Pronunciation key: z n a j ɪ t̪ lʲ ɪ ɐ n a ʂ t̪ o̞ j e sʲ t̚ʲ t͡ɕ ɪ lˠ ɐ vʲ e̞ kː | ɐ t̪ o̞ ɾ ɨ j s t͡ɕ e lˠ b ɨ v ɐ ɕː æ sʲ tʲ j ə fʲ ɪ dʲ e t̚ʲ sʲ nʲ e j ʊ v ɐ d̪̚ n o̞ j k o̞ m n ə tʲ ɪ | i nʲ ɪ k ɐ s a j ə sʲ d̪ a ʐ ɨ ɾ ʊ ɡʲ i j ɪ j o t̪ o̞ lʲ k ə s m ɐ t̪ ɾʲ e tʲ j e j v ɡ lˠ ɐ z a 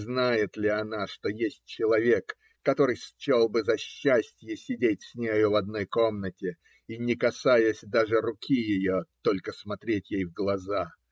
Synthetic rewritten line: z n a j ɪ t̪ lʲ ɪ ɐ n a ʂ t̪ o̞ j e sʲ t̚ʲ t͡ɕ ɪ lˠ ɐ vʲ e̞ kː | ɐ t̪ o̞ ɾ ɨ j s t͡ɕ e lˠ b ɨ z ɐ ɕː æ sʲ tʲ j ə sʲ ɪ dʲ e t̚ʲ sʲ nʲ e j ʊ v ɐ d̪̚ n o̞ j k o̞ m n ə tʲ ɪ | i nʲ ɪ k ɐ s a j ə sʲ d̪ a ʐ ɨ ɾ ʊ kʲ i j ɪ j o t̪ o̞ lʲ k ə s m ɐ t̪ ɾʲ e tʲ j e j v ɡ lˠ ɐ z a